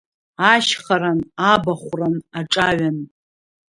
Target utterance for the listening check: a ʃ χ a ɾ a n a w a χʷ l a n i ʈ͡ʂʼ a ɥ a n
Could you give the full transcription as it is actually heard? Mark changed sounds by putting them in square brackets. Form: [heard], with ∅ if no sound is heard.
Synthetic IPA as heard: a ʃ χ a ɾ a n a [b] a χʷ [r] a n [a] ʈ͡ʂʼ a ɥ a n